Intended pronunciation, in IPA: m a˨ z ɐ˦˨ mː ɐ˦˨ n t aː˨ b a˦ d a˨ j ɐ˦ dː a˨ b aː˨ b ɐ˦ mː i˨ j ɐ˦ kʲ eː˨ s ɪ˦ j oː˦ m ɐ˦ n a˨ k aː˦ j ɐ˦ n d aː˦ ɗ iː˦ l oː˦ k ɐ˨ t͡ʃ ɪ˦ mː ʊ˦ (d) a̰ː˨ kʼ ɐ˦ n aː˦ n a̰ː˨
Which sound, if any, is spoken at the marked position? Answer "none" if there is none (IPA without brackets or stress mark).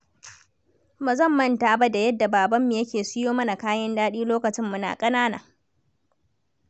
n